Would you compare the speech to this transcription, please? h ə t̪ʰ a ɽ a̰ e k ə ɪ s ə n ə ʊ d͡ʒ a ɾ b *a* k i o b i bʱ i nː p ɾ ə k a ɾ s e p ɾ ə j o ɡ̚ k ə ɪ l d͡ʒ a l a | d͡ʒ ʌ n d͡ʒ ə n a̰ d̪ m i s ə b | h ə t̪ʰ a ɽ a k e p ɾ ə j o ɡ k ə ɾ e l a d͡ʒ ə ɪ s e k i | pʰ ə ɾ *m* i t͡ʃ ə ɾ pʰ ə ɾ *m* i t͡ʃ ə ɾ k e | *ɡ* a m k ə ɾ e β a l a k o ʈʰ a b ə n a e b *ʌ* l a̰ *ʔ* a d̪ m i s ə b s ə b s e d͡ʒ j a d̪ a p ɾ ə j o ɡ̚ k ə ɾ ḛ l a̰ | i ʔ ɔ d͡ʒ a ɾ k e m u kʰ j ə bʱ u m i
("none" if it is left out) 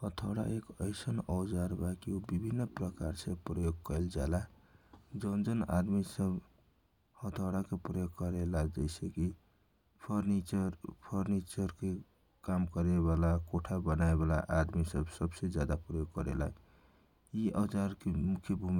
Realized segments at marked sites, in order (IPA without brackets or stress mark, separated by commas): a, n, n, k, a, ʔ